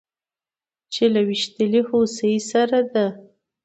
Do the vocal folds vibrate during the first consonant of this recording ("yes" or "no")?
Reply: no